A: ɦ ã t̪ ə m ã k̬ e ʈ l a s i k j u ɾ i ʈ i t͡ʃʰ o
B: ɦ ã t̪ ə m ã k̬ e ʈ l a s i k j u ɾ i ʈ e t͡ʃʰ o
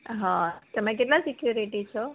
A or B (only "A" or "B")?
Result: A